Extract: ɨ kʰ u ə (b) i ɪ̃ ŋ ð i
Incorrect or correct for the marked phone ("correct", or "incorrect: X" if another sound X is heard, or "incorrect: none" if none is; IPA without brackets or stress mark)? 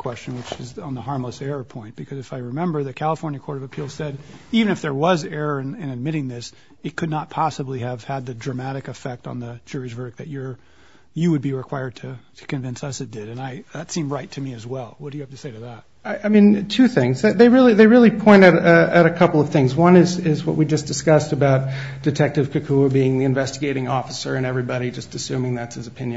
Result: correct